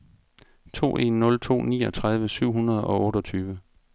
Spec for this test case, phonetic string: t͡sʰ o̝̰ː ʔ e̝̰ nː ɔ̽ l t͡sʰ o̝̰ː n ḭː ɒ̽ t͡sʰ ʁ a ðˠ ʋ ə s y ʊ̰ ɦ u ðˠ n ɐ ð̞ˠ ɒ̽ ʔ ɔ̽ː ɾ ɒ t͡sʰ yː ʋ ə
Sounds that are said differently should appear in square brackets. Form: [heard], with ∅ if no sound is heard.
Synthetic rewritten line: t͡sʰ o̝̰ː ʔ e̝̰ nː ɔ̽ l t͡sʰ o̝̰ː n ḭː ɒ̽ t͡sʰ ʁ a ðˠ ʋ ə s y ʊ̰ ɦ u [∅] n ɐ ð̞ˠ ɒ̽ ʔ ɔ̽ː ɾ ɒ t͡sʰ yː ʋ ə